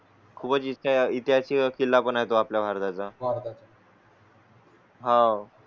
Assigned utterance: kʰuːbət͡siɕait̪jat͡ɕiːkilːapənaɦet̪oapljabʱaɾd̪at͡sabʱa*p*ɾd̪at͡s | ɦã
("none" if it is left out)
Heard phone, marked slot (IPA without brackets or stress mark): none